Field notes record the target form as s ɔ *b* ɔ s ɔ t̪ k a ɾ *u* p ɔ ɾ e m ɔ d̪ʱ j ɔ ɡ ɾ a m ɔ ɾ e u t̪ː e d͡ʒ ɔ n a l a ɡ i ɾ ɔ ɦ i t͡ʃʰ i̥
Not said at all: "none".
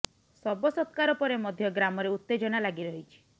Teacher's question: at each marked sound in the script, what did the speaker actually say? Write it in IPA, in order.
b, ɔ

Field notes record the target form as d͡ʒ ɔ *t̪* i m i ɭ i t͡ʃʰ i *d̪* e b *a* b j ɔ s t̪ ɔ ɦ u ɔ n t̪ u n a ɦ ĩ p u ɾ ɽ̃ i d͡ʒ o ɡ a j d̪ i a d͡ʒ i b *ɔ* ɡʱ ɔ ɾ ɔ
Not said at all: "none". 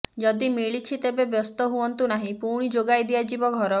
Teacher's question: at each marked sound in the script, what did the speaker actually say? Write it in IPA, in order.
d̪, t̪, e, ɔ

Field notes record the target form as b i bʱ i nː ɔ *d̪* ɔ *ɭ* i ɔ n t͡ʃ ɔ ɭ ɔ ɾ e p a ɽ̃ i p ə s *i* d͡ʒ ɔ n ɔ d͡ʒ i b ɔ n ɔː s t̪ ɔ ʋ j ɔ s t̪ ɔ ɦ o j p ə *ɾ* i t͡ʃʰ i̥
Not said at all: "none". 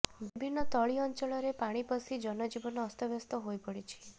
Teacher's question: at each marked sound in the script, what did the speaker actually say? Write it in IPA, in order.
t̪, ɭ, i, ɽ

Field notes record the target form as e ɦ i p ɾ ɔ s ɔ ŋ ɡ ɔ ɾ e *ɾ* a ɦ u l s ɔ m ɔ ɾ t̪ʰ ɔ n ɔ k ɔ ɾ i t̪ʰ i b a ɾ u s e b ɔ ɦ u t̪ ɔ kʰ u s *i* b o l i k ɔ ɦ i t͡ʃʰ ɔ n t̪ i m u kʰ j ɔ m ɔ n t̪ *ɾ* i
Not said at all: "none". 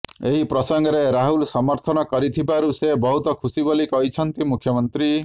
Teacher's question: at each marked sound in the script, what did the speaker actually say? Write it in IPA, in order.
ɾ, i, ɾ

